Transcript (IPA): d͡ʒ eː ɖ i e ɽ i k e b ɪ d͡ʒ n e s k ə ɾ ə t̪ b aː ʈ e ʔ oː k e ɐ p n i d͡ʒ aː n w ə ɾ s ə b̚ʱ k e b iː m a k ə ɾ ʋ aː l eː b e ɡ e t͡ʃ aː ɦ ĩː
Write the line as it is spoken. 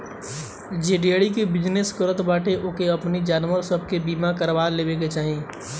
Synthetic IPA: d͡ʒ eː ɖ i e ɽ i k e b ɪ d͡ʒ n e s k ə ɾ ə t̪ b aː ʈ e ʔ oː k e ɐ p n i d͡ʒ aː n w ə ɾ s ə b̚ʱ k e b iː m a k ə ɾ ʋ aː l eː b e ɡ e t͡ʃ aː ɦ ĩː

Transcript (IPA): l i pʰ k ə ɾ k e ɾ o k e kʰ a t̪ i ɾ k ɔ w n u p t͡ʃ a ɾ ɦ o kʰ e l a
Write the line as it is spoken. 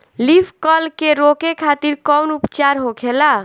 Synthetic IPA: l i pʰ k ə l k e ɾ o k e kʰ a t̪ i ɾ k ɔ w n u p t͡ʃ a ɾ ɦ o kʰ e l a

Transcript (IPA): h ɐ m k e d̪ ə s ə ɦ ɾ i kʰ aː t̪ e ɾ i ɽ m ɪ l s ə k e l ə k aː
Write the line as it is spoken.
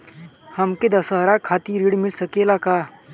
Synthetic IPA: h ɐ m k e d̪ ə s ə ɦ ɾ a kʰ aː t̪ i ɾ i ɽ m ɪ l s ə k e l a k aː

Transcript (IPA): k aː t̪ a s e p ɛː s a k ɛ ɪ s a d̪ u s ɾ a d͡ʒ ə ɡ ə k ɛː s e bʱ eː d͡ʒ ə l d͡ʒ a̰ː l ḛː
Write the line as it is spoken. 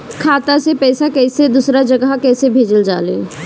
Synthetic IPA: kʰ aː t̪ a s e p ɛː s a k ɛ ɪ s e d̪ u s ɾ a d͡ʒ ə ɡ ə k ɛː s e bʱ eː d͡ʒ ə l d͡ʒ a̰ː l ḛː

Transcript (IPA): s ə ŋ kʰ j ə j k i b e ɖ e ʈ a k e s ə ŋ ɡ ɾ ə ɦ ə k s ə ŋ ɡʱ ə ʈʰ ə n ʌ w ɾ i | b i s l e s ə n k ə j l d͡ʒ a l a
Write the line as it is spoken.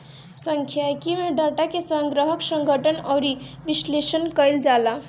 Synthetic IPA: s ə ŋ kʰ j a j k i m e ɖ a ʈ a k e s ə ŋ ɡ ɾ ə ɦ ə k s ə ŋ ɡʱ ə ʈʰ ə n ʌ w ɾ i | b i s l e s ə n k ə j l d͡ʒ a l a

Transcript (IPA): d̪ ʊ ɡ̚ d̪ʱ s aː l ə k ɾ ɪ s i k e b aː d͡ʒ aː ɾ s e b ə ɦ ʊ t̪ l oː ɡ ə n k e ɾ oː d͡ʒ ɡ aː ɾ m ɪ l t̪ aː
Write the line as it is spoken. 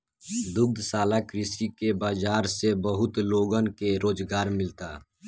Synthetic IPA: d̪ ʊ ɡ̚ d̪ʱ s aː l a k ɾ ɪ s i k e b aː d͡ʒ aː ɾ s e b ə ɦ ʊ t̪ l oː ɡ ə n k e ɾ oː d͡ʒ ɡ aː ɾ m ɪ l t̪ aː

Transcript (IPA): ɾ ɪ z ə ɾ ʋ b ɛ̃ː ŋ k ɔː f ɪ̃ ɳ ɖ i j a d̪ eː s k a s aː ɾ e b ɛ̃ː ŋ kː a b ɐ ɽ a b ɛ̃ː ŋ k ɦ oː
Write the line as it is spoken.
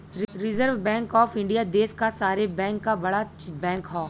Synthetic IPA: ɾ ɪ z ə ɾ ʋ b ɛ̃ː ŋ k ɔː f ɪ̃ ɳ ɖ i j a d̪ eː s k a s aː ɾ e b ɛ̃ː ŋ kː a b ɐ ɽ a b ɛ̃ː ŋ k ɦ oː

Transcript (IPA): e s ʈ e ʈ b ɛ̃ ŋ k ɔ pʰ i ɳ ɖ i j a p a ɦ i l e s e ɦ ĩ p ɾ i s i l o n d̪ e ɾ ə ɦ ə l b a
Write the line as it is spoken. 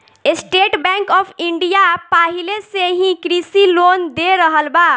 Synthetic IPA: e s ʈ e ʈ b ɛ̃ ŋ k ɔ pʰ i ɳ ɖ i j a p a ɦ i l e s e ɦ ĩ k ɾ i s i l o n d̪ e ɾ ə ɦ ə l b a

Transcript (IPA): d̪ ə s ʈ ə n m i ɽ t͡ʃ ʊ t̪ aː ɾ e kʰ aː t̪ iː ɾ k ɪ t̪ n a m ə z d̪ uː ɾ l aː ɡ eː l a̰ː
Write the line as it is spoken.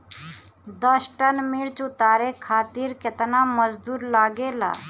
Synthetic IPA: d̪ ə s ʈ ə n m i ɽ t͡ʃ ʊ t̪ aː ɾ e kʰ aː t̪ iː ɾ k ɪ t̪ n a m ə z d̪ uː ɾ l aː ɡ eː l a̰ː

